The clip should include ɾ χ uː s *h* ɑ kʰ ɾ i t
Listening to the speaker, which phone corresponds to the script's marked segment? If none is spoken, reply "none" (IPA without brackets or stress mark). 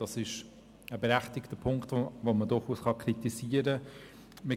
χ